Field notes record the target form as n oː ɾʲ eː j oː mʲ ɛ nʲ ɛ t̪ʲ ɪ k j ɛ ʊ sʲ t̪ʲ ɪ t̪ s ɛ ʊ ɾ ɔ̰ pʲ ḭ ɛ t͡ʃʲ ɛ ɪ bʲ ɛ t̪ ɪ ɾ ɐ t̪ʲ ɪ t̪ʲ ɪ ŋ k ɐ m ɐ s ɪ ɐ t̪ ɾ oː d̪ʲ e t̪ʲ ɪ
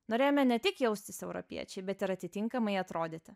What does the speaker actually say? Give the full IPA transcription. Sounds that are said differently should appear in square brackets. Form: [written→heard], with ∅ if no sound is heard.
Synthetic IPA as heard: n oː ɾʲ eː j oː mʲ ɛ nʲ ɛ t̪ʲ ɪ k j ɛ ʊ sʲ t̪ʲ ɪ [t̪→∅] s ɛ ʊ ɾ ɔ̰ pʲ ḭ ɛ t͡ʃʲ ɛ ɪ bʲ ɛ t̪ ɪ ɾ ɐ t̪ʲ ɪ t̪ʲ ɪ ŋ k ɐ m ɐ [s→∅] ɪ ɐ t̪ ɾ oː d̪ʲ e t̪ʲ ɪ